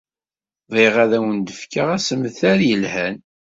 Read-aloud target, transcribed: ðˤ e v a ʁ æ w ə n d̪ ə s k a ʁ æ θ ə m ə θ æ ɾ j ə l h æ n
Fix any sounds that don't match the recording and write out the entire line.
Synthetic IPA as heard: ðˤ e ʁ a ð æ w ə n d̪ ə f k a ʁ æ s ə m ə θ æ ɾ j ə l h æ n